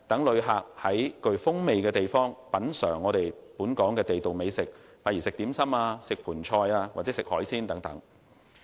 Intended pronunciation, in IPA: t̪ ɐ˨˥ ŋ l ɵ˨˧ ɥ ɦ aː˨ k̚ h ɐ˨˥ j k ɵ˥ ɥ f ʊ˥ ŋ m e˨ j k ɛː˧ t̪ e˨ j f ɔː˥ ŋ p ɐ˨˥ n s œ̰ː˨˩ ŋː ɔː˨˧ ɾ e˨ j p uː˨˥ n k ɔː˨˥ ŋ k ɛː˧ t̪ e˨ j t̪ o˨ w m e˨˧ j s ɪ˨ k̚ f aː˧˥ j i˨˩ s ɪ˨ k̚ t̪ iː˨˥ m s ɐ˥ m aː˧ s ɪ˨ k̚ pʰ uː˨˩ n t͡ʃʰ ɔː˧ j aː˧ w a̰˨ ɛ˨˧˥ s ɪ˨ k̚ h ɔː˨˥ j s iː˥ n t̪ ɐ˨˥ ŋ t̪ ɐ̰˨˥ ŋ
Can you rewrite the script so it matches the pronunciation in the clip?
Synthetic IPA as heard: t̪ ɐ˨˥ ŋ l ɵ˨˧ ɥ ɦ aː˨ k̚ h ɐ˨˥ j k ɵ˧ ɥ f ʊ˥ ŋ m e˨ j k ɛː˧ t̪ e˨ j f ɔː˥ ŋ p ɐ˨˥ n s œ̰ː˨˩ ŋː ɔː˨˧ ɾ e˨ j p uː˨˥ n k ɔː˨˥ ŋ k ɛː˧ t̪ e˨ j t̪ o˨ w m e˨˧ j s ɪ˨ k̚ f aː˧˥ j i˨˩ s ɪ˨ k̚ t̪ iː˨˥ m s ɐ˥ m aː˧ s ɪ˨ k̚ pʰ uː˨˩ n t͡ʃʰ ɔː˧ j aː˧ w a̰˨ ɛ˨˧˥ s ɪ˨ k̚ h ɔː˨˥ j s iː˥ n t̪ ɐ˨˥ ŋ t̪ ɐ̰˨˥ ŋ